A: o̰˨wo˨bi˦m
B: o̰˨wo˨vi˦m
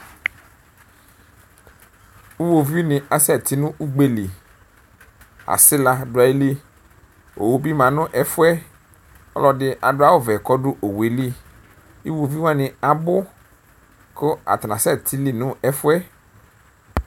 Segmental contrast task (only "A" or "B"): A